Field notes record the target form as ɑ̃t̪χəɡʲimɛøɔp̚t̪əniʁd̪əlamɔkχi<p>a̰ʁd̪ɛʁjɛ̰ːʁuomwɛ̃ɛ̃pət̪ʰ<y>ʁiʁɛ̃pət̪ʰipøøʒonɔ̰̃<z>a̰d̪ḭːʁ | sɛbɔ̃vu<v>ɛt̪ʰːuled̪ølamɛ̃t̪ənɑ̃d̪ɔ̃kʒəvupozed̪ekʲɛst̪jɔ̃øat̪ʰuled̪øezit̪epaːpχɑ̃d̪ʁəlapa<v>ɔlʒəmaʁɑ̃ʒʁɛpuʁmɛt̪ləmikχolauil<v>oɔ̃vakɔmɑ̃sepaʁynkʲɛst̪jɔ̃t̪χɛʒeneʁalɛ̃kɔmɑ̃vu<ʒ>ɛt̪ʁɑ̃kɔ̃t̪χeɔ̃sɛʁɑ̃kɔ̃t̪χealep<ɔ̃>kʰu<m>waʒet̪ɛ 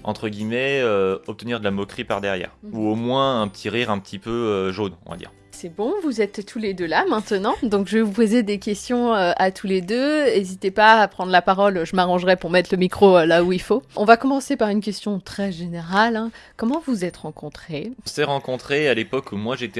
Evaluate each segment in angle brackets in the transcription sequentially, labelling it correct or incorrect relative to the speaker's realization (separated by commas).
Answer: correct, incorrect, incorrect, incorrect, incorrect, incorrect, incorrect, incorrect, correct